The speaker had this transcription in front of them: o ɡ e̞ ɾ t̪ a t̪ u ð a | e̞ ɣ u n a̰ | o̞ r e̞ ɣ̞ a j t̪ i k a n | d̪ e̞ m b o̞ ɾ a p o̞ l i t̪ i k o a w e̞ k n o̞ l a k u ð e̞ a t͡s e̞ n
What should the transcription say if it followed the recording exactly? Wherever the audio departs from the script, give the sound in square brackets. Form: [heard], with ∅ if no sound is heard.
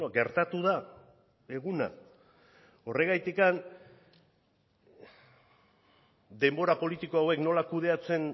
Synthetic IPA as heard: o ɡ e̞ ɾ t̪ a t̪ u ð a | e̞ ɣ u n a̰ | o̞ r e̞ ɣ̞ a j t̪ i k a n | d̪ e̞ m b o̞ ɾ a p o̞ l i t̪ i k o a w e̞ k n o̞ l a k u ð e̞ a t͡s e̞ n